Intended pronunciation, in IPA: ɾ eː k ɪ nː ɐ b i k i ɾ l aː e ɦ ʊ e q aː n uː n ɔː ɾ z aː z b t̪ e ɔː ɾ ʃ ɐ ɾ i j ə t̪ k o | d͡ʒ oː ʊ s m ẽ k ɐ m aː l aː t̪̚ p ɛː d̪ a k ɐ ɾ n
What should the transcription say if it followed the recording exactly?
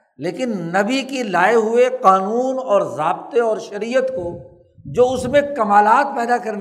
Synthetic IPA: l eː k ɪ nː ɐ b i k i l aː e ɦ ʊ e q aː n uː n ɔː ɾ z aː b t̪ e ɔː ɾ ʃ ɐ ɾ i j ə t̪ k o | d͡ʒ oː ʊ s m ẽ k ɐ m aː l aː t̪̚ p ɛː d̪ a k ɐ ɾ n